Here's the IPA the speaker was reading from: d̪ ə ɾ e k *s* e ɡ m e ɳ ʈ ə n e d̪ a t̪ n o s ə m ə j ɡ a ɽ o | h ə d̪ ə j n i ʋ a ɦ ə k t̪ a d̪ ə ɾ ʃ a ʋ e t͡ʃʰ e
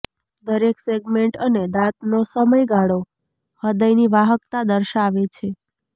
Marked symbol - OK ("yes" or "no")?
yes